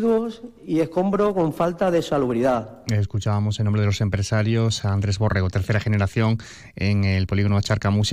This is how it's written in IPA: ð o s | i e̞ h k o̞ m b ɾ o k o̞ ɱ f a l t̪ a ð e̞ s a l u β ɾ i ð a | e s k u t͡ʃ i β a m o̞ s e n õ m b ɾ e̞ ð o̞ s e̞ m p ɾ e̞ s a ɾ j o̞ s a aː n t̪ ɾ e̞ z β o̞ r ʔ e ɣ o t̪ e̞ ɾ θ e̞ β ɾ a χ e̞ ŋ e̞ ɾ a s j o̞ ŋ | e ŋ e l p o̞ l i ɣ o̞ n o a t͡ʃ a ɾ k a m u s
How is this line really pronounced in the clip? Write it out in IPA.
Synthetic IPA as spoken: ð o s | i e̞ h k o̞ m b ɾ o k o̞ ɱ f a l t̪ a ð e̞ s a l u β ɾ i ð a | e s k u t͡ʃ a β a m o̞ s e n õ m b ɾ e̞ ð o̞ s e̞ m p ɾ e̞ s a ɾ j o̞ s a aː n d̪ ɾ e̞ z β o̞ r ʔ e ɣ o t̪ e̞ ɾ θ e̞ ɾ a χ e̞ n e̞ ɾ a θ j o̞ ŋ | e ŋ e l p o̞ l i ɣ o̞ n o a t͡ʃ a ɾ k a m u s